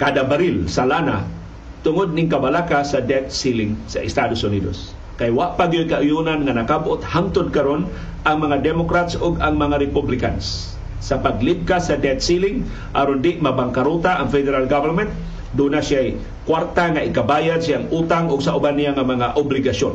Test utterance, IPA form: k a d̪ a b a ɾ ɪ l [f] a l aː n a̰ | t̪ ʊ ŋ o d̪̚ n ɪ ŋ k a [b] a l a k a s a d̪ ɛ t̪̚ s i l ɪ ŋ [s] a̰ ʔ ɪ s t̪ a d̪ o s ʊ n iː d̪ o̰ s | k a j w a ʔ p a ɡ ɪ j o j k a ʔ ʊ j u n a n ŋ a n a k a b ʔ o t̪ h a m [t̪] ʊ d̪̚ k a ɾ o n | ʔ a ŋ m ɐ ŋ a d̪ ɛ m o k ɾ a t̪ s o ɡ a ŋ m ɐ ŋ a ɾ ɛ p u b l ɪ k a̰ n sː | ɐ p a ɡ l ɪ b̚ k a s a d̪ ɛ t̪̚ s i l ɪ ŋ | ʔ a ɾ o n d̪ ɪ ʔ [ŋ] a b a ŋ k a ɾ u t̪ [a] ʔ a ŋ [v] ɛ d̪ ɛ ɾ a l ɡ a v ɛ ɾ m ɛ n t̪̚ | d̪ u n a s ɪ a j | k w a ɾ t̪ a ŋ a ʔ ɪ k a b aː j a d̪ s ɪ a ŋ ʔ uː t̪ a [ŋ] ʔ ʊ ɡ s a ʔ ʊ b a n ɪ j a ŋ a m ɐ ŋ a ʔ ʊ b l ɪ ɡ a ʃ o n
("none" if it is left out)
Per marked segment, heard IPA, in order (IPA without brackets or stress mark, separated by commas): s, b, s, t̪, m, a, f, ŋ